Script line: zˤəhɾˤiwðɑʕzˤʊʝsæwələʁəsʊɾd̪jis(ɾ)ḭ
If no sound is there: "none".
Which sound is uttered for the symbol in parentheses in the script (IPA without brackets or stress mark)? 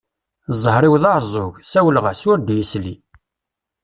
l